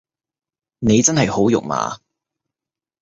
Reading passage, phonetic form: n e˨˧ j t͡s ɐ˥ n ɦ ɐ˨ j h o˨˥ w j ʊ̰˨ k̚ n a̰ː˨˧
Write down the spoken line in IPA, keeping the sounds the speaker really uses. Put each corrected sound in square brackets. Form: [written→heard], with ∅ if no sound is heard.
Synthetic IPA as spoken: n e˨˧ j t͡s ɐ˥ n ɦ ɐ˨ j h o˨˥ w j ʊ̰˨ k̚ [n→m] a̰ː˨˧